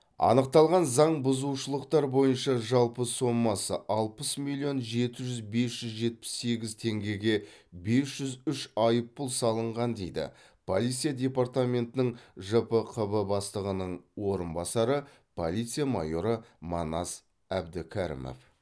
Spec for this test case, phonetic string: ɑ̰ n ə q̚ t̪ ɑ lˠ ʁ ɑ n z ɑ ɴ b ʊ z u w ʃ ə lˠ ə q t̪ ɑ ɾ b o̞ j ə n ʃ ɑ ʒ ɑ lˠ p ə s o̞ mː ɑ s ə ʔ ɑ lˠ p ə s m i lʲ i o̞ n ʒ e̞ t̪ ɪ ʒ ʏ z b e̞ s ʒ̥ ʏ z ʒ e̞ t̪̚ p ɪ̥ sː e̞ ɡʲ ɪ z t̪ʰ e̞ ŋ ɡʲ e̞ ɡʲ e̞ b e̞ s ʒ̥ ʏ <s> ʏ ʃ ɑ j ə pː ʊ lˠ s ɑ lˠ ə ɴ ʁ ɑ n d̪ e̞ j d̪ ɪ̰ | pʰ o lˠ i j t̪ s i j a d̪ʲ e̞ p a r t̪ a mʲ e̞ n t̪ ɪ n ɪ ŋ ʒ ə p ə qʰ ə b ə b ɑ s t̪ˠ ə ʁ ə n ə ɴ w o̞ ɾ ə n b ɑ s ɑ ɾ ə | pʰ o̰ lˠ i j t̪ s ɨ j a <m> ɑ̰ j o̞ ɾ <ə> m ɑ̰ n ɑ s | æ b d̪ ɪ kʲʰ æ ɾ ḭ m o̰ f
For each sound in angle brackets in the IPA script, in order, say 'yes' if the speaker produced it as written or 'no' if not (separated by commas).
no, yes, yes